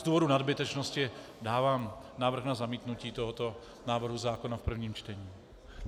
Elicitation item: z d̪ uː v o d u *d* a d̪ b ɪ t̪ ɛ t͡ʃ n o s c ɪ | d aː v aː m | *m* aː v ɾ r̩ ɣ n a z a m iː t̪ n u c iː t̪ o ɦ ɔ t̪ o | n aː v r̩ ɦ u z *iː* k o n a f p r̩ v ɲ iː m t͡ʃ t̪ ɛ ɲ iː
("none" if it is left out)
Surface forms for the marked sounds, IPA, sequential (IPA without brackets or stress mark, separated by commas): n, n, aː